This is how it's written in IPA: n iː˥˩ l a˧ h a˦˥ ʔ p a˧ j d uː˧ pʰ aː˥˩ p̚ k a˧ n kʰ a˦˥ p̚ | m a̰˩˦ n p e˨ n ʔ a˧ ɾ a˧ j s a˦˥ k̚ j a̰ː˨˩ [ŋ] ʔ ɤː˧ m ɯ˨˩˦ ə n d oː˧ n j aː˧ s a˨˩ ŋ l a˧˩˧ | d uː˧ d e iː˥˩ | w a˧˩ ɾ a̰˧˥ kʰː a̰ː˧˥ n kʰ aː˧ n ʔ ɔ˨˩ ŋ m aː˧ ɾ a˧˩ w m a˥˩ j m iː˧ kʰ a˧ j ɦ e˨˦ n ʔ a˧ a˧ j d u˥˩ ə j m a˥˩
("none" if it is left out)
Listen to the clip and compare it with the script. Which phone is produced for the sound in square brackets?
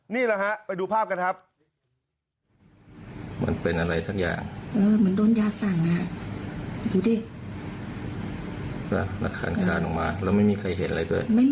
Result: ŋ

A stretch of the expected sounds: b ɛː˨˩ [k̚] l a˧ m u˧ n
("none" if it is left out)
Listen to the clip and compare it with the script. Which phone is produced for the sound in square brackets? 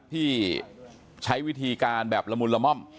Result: p̚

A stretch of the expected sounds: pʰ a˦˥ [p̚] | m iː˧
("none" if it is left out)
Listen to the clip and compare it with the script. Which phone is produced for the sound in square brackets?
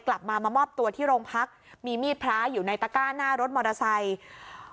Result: k̚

